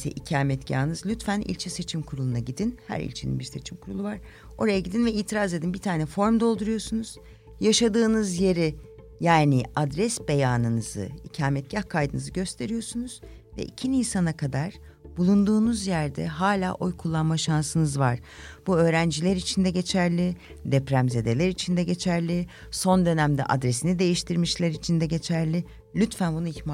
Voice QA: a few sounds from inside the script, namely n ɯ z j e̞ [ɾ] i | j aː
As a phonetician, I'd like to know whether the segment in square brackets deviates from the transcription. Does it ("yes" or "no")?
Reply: no